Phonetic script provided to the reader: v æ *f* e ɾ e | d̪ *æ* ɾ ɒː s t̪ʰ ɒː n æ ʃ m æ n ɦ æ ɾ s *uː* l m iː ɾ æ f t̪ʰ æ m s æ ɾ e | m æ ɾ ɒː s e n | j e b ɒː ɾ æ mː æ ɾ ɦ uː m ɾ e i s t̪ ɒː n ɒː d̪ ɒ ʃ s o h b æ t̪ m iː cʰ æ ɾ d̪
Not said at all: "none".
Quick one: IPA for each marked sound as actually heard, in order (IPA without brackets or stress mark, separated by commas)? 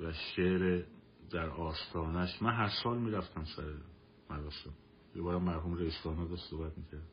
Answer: ʃ, æ, ɒː